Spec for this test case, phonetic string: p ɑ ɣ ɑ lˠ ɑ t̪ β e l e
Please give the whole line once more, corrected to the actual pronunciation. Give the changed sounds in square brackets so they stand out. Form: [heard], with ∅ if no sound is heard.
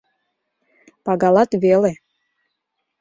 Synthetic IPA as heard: p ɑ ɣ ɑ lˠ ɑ t̪ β e l e